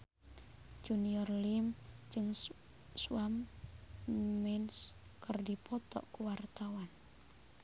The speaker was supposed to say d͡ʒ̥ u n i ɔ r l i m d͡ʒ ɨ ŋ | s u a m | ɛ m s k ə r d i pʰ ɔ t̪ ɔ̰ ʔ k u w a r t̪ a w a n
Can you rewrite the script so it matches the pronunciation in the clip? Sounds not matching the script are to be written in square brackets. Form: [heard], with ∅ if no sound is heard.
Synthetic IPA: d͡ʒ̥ u n i ɔ r l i m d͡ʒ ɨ ŋ | s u a m | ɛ [n] s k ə r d i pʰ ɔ t̪ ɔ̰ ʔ k u w a r t̪ a w a n